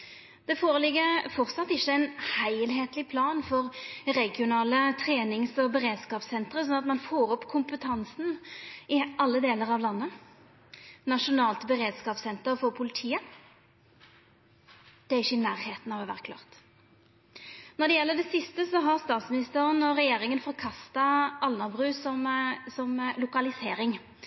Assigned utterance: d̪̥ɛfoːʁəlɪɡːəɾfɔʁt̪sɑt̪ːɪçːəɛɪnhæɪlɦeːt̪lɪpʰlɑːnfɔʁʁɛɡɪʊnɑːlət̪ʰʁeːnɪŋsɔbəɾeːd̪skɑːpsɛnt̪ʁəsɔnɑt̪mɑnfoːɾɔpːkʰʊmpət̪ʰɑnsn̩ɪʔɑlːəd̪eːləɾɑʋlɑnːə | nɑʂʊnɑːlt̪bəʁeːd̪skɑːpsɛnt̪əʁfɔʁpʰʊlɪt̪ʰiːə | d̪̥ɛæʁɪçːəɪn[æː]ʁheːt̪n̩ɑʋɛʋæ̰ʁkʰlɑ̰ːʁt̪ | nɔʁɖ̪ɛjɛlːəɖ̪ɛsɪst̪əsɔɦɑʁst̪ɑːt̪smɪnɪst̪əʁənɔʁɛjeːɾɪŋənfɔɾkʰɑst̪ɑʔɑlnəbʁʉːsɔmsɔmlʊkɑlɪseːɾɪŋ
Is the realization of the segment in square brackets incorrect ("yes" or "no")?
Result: no